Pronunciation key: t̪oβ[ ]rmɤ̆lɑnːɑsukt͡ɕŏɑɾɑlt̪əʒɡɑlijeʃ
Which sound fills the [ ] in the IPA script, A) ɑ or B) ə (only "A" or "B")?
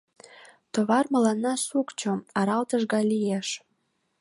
A